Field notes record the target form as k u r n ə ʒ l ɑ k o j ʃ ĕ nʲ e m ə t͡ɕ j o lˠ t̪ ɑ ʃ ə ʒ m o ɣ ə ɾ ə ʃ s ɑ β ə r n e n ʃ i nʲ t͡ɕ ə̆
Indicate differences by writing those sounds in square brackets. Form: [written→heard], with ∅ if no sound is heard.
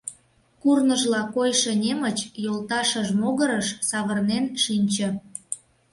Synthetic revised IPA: k u r n ə ʒ l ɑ k o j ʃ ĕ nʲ e m ə t͡ɕ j o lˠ t̪ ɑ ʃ ə ʒ m o ɣ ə ɾ ə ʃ s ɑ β ə r n e n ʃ i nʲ t͡ɕ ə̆